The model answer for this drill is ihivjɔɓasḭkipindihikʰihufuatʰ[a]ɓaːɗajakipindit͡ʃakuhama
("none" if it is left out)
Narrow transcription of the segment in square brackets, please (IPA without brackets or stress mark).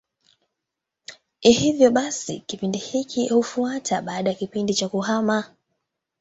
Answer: a